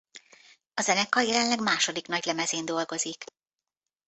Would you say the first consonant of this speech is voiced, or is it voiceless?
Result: voiced